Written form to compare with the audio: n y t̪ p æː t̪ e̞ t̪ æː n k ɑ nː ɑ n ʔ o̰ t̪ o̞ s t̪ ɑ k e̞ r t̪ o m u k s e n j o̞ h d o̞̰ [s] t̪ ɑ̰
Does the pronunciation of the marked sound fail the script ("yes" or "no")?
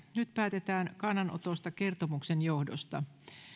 no